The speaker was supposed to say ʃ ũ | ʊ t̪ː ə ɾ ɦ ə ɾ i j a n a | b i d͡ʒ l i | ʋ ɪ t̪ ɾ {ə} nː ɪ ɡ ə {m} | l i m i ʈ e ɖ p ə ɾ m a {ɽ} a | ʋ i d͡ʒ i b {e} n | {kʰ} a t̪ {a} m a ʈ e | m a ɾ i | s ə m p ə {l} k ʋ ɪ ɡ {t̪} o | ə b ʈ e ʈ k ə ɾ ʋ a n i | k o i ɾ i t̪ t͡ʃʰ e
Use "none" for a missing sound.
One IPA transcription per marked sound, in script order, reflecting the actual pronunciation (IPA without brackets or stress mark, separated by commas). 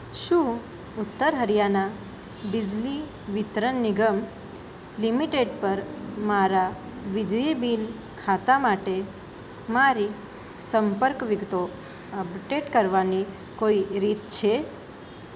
ə, m, ɾ, i, kʰ, a, ɾ, t̪